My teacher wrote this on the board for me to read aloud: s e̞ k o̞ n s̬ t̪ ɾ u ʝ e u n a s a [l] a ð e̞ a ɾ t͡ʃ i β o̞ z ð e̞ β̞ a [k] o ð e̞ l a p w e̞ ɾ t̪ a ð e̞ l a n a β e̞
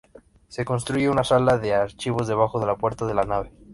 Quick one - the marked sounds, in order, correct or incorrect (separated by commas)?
correct, incorrect